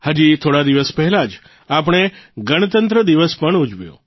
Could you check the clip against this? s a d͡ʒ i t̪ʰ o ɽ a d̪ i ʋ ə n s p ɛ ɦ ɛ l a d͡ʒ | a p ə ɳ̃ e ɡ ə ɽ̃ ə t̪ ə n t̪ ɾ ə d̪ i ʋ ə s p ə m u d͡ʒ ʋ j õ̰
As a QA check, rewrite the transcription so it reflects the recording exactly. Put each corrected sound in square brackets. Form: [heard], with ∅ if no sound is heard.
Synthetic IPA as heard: [h] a d͡ʒ i t̪ʰ o ɽ a d̪ i ʋ ə [∅] s p ɛ ɦ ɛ l a d͡ʒ | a p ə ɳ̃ e ɡ ə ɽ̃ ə t̪ ə n t̪ ɾ ə d̪ i ʋ ə s p ə [ɳ] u d͡ʒ ʋ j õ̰